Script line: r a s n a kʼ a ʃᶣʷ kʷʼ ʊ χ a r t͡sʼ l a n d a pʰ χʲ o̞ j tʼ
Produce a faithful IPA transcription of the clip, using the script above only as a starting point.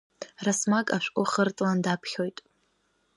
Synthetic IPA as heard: r a s m a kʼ a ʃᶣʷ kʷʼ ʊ χ ə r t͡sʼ l a n d a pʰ χʲ o̞ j tʼ